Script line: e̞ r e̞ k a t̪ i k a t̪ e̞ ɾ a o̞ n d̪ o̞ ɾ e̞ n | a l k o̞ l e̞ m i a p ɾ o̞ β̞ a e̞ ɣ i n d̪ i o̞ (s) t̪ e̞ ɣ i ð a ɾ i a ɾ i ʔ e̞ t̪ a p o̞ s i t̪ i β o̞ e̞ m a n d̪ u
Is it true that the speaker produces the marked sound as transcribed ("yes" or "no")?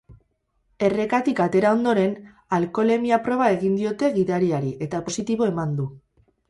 no